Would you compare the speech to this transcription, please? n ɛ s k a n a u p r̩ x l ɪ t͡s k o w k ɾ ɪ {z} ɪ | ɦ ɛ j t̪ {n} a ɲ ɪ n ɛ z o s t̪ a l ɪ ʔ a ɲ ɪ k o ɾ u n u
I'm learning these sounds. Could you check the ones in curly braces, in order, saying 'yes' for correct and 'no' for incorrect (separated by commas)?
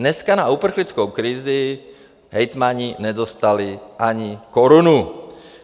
yes, no